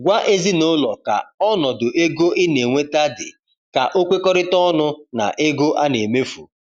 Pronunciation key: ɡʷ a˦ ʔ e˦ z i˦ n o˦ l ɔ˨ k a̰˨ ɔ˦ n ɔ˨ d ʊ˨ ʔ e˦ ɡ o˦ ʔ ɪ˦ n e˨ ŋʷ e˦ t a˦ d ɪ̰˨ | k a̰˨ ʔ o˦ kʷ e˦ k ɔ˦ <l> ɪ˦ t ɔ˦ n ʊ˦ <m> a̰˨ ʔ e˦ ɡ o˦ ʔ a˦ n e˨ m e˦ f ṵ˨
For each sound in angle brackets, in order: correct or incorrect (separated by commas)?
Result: incorrect, incorrect